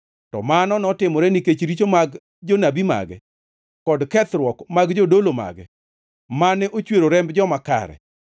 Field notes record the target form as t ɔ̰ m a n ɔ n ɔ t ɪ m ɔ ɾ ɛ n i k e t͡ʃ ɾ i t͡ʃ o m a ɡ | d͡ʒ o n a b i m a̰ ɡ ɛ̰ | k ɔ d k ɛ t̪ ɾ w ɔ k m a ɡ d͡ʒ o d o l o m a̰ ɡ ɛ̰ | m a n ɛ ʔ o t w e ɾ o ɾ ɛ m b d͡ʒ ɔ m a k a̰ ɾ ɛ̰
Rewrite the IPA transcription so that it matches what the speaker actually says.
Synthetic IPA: t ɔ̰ m a n ɔ n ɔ t ɪ m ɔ ɾ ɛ n i k e t͡ʃ ɾ i t͡ʃ o m a ɡ | d͡ʒ o n a b i m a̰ ɡ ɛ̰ | k ɔ d k ɛ t̪ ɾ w ɔ k m a ɡ d͡ʒ o d o l o m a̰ ɡ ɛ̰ | m a n ɛ ʔ o t͡ʃ w e ɾ o ɾ ɛ m b d͡ʒ ɔ m a k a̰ ɾ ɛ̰